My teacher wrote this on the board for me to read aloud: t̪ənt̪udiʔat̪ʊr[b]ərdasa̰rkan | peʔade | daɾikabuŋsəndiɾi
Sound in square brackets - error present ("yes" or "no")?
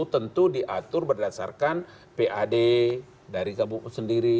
no